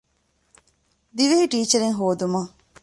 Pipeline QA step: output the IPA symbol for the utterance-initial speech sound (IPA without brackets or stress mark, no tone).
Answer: d̪